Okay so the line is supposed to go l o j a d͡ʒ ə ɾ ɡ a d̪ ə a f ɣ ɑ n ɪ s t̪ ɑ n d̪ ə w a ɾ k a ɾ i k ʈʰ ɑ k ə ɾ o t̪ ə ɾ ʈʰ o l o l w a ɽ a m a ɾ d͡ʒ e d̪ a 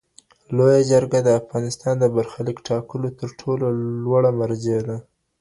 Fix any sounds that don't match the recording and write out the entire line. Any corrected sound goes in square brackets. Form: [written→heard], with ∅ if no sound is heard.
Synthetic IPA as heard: l o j a d͡ʒ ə ɾ ɡ a d̪ ə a f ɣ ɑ n ɪ s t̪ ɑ n d̪ ə [w→b] a ɾ [k→x] a [ɾ→l] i k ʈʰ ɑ k ə [ɾ→l] o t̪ ə ɾ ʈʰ o l o l w a ɽ a m a ɾ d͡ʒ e d̪ a